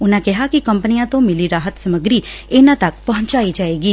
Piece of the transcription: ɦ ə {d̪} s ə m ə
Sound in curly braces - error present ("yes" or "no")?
yes